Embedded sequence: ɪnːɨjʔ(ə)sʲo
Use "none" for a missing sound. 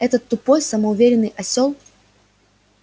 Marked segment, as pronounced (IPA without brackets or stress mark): ɐ